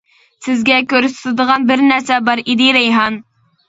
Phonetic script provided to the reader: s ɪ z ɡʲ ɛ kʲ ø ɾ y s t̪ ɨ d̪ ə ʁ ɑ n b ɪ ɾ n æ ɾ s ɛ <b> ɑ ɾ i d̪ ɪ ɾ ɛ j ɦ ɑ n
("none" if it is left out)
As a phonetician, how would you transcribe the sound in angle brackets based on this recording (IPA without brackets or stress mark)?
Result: b